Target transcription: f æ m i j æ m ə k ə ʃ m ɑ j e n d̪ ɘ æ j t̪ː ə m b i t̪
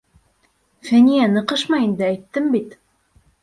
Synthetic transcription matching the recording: f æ n i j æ n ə q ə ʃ m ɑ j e n d̪ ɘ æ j t̪ː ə m b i t̪